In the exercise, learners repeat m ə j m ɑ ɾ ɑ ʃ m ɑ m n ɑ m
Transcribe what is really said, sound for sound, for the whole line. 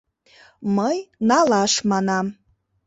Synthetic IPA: m ə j n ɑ l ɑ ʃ m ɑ n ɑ m